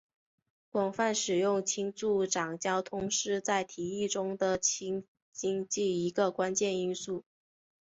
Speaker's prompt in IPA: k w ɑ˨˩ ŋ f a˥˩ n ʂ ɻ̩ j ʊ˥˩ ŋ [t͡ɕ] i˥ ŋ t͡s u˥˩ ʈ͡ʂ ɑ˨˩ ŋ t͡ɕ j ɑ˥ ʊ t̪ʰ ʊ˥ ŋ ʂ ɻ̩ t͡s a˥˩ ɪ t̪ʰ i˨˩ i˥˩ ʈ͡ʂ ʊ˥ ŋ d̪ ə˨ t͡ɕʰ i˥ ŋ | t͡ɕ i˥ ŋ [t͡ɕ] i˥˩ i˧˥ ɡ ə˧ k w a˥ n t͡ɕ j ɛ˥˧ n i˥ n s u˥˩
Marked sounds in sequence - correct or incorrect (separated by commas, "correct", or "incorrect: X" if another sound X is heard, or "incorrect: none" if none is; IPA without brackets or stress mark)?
incorrect: t͡ɕʰ, correct